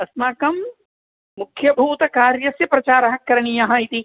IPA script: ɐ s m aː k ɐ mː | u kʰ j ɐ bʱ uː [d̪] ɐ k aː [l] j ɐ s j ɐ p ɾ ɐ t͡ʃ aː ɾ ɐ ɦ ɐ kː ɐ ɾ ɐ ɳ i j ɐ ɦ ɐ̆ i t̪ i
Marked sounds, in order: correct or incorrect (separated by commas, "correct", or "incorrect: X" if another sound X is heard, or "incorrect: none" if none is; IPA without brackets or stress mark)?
incorrect: t̪, incorrect: ɾ